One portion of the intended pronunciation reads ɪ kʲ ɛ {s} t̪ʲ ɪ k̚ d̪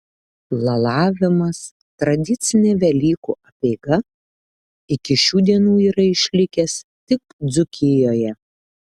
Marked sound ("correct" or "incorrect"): correct